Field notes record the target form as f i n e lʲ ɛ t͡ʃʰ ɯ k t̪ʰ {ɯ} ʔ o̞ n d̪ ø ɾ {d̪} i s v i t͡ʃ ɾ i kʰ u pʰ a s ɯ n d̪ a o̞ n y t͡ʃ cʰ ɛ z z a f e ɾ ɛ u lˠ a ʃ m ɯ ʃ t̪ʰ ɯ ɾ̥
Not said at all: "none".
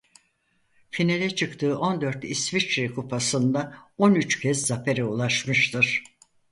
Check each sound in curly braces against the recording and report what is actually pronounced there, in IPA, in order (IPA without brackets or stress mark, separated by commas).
ɯː, t̪